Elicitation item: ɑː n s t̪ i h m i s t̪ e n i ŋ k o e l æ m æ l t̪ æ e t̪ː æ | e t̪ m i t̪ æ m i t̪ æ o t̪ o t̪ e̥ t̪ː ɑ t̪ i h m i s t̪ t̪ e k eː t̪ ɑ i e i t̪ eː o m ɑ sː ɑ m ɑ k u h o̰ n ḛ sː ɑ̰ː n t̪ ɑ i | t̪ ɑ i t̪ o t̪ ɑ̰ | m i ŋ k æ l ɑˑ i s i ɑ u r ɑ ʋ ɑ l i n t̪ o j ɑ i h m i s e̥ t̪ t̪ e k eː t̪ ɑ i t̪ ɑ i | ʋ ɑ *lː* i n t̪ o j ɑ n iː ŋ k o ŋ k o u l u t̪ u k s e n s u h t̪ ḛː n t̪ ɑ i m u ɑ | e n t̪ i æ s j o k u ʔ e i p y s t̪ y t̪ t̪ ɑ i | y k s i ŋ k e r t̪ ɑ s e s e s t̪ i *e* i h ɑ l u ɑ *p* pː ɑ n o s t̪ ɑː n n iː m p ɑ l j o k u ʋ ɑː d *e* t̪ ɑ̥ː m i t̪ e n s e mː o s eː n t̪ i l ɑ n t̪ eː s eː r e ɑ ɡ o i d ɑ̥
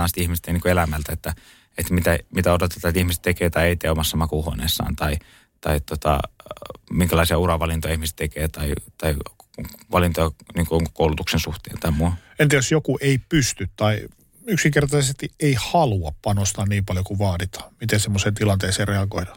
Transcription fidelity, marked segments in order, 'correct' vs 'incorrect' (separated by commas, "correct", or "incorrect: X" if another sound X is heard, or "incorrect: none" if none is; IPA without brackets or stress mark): incorrect: l, correct, correct, incorrect: i